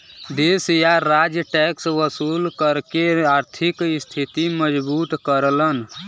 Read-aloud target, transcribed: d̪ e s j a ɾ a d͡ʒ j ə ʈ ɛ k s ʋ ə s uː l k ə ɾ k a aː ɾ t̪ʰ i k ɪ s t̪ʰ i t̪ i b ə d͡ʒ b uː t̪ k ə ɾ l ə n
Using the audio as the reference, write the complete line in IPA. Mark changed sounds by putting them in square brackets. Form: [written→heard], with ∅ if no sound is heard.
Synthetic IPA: d̪ e s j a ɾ a d͡ʒ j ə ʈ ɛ k s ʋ ə s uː l k ə ɾ k [a→e] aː ɾ t̪ʰ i k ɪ s t̪ʰ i t̪ i [b→m] ə d͡ʒ b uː t̪ k ə ɾ l ə n